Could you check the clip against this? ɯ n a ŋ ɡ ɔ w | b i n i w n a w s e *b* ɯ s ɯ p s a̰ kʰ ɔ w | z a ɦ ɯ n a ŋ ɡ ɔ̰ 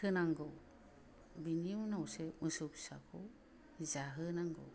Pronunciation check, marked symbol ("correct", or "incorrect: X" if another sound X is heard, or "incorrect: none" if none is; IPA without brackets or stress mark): incorrect: m